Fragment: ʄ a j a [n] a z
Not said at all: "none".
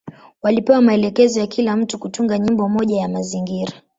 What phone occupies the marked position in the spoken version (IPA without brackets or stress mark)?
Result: m